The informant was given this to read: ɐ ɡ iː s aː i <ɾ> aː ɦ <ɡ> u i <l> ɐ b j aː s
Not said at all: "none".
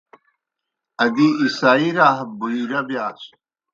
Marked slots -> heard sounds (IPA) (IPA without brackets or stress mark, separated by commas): ɾ, b, ɾ